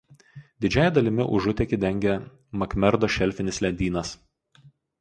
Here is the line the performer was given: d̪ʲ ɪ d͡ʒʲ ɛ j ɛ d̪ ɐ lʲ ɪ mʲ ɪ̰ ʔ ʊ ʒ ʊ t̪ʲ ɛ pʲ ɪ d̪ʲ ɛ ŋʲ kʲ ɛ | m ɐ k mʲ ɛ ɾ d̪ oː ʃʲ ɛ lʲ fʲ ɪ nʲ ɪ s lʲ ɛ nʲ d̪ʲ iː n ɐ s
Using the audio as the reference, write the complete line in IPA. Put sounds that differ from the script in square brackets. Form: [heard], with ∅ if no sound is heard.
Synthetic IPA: d̪ʲ ɪ d͡ʒʲ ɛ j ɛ d̪ ɐ lʲ ɪ mʲ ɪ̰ ʔ ʊ ʒ ʊ t̪ʲ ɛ [kʲ] ɪ d̪ʲ ɛ ŋʲ [ɡʲ] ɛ | m ɐ k mʲ ɛ ɾ d̪ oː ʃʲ ɛ lʲ fʲ ɪ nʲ ɪ s lʲ ɛ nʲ d̪ʲ iː n ɐ s